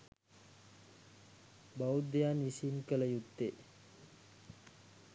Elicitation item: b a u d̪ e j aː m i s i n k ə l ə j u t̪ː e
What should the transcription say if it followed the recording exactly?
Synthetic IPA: b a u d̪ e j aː n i s i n k ə l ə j u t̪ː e